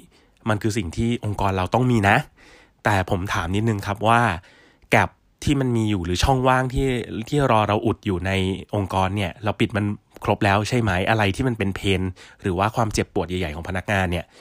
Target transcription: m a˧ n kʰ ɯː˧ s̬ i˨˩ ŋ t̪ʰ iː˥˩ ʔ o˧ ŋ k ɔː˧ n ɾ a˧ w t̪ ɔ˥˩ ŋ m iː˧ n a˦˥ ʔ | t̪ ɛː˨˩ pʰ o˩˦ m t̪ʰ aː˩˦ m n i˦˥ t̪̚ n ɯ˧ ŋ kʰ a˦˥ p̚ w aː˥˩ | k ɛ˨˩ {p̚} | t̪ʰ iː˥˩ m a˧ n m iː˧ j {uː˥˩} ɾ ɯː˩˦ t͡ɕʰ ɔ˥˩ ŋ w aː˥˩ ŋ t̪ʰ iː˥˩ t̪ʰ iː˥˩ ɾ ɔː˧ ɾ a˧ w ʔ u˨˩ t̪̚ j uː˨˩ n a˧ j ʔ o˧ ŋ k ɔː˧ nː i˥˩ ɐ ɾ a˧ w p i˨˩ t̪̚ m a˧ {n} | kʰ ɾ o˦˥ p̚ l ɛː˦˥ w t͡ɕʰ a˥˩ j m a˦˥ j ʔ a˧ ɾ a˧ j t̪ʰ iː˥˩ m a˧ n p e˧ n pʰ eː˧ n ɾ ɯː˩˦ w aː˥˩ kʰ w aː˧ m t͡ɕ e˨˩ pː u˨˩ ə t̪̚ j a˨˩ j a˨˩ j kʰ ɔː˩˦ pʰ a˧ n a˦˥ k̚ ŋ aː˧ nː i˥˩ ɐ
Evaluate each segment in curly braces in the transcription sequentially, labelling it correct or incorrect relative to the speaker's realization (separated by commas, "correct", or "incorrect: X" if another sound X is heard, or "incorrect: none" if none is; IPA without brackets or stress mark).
correct, incorrect: uː˨˩, correct